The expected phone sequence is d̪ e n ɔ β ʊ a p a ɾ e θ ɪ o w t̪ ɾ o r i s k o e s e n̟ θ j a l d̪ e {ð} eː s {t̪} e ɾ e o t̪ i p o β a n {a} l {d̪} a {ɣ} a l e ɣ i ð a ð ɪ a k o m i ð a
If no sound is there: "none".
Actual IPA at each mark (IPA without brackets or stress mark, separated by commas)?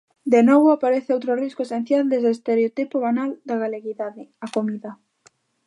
z, t̪, a, d̪, ɣ